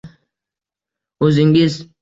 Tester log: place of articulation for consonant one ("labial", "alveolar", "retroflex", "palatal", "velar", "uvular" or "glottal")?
alveolar